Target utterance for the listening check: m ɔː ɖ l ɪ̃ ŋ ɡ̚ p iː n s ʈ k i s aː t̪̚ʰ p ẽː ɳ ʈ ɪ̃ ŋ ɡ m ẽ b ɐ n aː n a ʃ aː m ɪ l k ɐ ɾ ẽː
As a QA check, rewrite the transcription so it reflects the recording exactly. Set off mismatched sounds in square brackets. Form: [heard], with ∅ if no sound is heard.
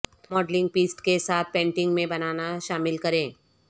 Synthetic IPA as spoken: m ɔː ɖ l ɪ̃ ŋ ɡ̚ p iː [∅] s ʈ k [e] s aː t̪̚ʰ p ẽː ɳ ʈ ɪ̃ ŋ ɡ m ẽ b ɐ n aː n a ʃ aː m ɪ l k ɐ ɾ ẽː